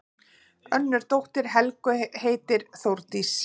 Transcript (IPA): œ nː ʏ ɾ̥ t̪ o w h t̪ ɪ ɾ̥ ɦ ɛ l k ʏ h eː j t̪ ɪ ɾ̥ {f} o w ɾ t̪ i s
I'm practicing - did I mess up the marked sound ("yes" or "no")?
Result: yes